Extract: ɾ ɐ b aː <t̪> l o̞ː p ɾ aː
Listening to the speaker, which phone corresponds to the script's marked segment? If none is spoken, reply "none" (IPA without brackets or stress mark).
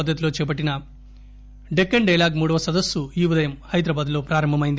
d̪